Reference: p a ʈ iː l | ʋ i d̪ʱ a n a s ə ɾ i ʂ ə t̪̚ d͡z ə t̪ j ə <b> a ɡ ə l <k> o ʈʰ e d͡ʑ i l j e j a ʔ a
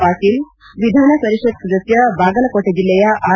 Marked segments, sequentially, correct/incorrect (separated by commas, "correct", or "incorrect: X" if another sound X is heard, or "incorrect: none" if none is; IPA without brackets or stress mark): correct, correct